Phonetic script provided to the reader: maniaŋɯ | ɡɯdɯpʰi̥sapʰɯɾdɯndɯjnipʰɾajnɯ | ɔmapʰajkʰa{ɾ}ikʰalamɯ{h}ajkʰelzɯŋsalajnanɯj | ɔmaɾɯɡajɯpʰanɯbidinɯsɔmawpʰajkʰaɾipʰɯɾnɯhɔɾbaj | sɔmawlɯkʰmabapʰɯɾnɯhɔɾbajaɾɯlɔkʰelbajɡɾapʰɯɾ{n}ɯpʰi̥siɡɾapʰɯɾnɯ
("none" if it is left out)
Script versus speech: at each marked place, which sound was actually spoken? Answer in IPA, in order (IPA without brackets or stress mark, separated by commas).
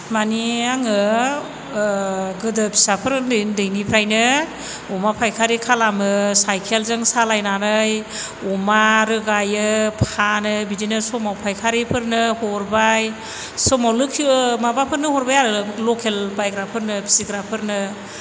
ɾ, s, n